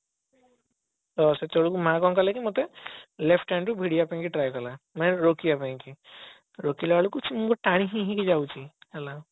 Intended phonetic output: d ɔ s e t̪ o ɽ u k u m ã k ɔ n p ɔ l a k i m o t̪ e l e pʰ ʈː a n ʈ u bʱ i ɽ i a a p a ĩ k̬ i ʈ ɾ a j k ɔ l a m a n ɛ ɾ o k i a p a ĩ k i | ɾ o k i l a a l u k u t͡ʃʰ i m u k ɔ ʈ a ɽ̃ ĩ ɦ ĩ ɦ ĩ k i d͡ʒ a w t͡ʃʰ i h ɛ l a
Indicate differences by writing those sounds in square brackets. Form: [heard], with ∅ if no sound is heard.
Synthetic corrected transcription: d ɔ s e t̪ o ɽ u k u m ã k ɔ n [k] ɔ l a k i m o t̪ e l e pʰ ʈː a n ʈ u bʱ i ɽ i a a p a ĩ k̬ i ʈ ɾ a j k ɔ l a m a n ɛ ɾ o k i a p a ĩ k i | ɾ o k i l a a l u k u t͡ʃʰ i m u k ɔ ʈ a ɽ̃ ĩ ɦ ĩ ɦ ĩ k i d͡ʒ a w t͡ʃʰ i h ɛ l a